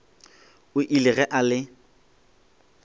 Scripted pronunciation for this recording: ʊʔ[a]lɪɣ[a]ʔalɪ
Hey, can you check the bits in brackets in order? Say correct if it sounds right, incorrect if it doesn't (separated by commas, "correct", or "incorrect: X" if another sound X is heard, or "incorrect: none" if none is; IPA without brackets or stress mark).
incorrect: i, incorrect: ɛ